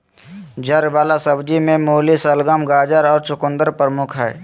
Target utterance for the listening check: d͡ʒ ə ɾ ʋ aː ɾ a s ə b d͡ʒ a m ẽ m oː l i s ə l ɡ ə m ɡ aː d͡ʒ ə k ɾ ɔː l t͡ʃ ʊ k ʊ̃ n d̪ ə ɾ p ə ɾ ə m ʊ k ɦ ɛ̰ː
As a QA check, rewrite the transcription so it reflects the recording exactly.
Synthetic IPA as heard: d͡ʒ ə ɾ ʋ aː l a s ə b d͡ʒ i m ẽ m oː l i s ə l ɡ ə m ɡ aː d͡ʒ ə ɾ ɔː ɾ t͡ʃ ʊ k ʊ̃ n d̪ ə ɾ p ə ɾ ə m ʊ kʰ ɦ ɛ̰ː